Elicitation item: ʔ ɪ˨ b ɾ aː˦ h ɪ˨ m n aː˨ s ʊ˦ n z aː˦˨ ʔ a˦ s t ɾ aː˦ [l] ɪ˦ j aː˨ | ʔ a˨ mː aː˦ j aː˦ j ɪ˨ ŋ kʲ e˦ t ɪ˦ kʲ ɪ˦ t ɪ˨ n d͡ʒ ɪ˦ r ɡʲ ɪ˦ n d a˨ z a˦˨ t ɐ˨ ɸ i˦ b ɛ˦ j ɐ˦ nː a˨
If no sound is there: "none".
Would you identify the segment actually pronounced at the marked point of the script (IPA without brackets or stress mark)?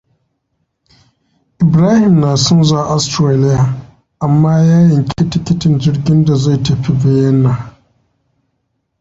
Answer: l